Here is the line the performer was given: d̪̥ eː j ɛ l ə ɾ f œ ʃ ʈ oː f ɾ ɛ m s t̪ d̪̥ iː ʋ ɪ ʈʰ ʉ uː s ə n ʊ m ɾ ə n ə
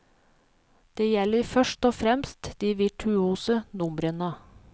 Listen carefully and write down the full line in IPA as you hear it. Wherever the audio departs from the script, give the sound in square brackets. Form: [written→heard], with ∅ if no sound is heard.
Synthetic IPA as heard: d̪̥ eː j ɛ l ə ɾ f œ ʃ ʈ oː f ɾ ɛ m s t̪ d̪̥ iː ʋ ɪ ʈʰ ʉ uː s ə n ʊ m ɾ ə n ə